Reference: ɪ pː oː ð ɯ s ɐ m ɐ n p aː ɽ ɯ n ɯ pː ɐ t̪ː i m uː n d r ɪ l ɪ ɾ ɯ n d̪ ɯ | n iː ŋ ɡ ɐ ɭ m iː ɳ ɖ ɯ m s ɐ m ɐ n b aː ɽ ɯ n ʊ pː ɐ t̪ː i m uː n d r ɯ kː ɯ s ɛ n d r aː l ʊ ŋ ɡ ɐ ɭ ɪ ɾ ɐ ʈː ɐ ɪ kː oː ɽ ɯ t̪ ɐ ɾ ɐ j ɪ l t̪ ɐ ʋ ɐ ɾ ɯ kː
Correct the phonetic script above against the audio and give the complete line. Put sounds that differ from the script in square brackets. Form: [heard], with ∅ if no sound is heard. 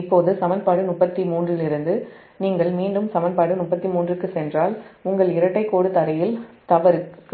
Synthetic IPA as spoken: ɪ pː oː ð ɯ s ɐ m ɐ n p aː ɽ ɯ n [ʊ] pː ɐ t̪ː i m uː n d r ɪ l ɪ ɾ ɯ n d̪ ɯ | n iː ŋ ɡ ɐ ɭ m iː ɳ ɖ ɯ m s ɐ m ɐ n [p] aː ɽ ɯ n ʊ pː ɐ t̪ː i m uː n d r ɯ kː ɯ s ɛ n d r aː l ʊ ŋ ɡ ɐ ɭ ɪ ɾ ɐ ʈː ɐ ɪ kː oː ɽ ɯ t̪ ɐ ɾ ɐ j ɪ l t̪ ɐ ʋ ɐ ɾ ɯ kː